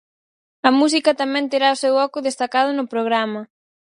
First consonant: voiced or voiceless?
voiced